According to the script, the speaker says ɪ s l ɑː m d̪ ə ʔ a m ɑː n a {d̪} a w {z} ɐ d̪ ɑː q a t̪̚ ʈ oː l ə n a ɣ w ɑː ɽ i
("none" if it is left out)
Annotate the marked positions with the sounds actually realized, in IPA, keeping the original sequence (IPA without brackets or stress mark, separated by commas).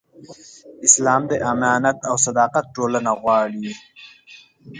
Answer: t̪, s